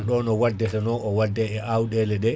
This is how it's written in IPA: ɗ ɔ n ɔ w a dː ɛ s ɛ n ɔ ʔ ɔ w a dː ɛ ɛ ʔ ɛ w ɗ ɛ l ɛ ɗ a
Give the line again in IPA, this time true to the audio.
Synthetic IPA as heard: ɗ ɔ n ɔ w a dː ɛ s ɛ n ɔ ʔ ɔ w a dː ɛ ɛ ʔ a w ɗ ɛ l ɛ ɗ ɛ

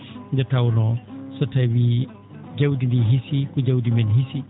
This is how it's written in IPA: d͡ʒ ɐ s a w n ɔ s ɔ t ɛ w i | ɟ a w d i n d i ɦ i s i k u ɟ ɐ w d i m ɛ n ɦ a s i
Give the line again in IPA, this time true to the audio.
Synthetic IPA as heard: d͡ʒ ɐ t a w n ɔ s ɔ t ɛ w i | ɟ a w d i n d i ɦ i s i k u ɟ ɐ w d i m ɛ n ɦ i s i

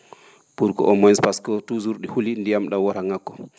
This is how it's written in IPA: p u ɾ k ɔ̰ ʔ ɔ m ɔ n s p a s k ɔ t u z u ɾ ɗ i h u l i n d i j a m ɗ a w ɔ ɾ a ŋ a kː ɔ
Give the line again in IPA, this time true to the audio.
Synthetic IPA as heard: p u ɾ k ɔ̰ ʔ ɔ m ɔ n s p a s k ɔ t u z u ɾ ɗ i h u l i n d i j a m ɗ a w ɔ ɾ a ŋ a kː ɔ

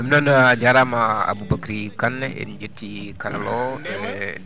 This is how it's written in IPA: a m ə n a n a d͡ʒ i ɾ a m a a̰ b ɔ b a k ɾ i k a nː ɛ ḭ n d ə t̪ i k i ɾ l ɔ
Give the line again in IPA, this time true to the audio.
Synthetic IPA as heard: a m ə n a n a d͡ʒ a ɾ a m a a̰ b u b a k ɾ i k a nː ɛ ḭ n d͡ʒ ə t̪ i k a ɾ l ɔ

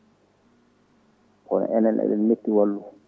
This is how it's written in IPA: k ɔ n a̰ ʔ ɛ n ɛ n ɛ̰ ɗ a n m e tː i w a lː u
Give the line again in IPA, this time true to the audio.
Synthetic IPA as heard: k ɔ n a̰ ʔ ɛ n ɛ n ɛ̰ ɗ ɛ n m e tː i w a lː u

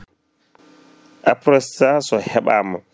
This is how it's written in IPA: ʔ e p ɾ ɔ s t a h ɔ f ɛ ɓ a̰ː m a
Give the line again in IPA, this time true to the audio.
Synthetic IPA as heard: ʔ a p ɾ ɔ s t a s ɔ h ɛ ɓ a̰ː m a

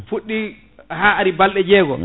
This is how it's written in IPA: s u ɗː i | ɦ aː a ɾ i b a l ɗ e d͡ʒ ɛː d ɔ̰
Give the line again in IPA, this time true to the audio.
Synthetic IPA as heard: f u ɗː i | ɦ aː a ɾ i b a l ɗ ɛ d͡ʒ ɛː ɡ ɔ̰

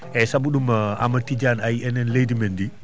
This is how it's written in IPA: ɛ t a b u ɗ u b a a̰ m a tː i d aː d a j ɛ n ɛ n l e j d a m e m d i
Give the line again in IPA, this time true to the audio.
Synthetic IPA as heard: ɛ s a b u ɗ u m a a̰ m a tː i d͡ʒ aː n a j ɛ n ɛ n l e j d i m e n d i

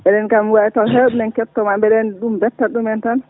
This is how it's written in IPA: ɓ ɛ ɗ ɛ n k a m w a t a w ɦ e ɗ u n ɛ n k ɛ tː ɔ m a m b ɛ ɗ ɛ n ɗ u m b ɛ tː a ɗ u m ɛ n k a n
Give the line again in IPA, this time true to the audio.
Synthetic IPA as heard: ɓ ɛ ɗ ɛ n k a m w a t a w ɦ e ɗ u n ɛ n k ɛ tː ɔ m a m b ɛ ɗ ɛ n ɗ u m b ɛ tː a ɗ u m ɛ n t a n

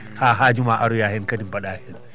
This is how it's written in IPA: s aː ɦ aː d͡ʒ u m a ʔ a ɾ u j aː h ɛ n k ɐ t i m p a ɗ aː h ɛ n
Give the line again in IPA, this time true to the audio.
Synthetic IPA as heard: h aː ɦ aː d͡ʒ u m a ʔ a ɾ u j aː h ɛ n k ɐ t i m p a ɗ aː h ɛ n

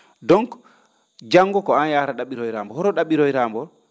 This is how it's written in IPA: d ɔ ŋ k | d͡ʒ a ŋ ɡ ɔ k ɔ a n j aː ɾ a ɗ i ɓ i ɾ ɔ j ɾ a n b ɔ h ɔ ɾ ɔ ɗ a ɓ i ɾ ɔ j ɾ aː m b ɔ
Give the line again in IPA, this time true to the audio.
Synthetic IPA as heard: d ɔ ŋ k | d͡ʒ a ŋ ɡ ɔ k ɔ a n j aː ɾ a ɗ a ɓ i ɾ ɔ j ɾ a m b ɔ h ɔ ɾ ɔ ɗ a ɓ i ɾ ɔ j ɾ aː m b ɔ

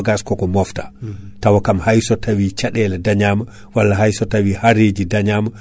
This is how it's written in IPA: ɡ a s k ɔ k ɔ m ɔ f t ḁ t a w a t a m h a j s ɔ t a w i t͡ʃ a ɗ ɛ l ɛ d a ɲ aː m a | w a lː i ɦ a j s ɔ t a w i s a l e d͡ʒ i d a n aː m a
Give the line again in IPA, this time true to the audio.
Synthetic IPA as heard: ɡ a s k ɔ k ɔ m ɔ f t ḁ t a w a k a m h a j s ɔ t a w i t͡ʃ a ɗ ɛ l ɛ d a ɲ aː m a | w a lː a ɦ a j s ɔ t a w i h a ɾ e d͡ʒ i d a ɲ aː m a

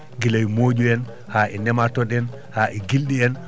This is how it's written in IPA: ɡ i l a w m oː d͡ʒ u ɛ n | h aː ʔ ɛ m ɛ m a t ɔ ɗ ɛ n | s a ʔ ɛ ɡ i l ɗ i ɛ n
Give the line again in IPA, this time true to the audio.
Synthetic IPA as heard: ɡ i l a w m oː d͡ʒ u ɛ n | h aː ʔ ɛ n ɛ m a t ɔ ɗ ɛ n | h a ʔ ɛ ɡ i l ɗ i ɛ n

